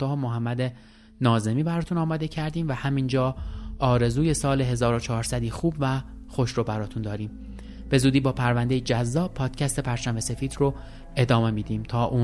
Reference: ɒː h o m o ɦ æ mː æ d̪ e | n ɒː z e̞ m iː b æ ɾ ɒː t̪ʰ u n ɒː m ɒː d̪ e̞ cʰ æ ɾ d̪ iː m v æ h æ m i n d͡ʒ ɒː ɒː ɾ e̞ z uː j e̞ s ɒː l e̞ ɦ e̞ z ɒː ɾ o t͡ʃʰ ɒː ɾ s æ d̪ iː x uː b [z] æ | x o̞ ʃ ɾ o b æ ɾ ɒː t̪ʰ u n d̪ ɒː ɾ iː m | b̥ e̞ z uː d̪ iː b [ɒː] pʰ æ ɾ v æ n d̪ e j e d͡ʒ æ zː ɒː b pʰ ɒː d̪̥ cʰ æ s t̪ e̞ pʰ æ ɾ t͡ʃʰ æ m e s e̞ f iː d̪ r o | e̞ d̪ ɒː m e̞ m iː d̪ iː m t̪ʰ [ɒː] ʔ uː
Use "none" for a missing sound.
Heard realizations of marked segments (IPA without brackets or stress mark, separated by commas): v, ɒː, ɒː